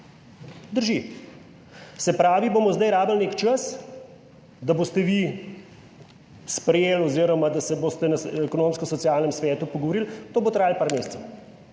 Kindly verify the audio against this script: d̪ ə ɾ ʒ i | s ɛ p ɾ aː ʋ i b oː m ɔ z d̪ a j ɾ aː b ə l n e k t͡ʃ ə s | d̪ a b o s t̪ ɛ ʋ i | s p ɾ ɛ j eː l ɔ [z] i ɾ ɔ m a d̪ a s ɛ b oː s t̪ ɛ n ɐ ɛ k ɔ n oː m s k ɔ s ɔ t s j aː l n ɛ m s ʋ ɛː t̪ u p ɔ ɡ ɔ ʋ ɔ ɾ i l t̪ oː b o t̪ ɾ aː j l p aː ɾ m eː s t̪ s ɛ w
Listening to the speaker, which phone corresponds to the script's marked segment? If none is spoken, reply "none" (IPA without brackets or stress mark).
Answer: z